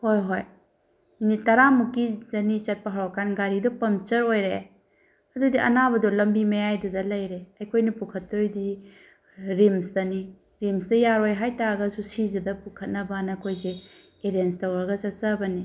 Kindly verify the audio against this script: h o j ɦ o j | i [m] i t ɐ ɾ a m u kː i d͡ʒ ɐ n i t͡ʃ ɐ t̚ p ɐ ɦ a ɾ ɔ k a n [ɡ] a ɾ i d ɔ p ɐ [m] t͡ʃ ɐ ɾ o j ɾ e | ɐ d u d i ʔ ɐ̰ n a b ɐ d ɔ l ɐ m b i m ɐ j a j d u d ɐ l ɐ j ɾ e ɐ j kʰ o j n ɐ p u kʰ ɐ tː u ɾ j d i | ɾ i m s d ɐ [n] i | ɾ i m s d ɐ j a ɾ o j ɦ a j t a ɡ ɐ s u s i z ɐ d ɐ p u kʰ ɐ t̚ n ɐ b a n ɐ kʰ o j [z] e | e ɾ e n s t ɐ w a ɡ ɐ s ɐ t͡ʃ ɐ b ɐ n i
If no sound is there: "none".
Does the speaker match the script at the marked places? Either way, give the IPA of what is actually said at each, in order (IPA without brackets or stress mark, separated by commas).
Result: n, ɡ, m, n, z